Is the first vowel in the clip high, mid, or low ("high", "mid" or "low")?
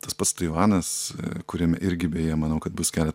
low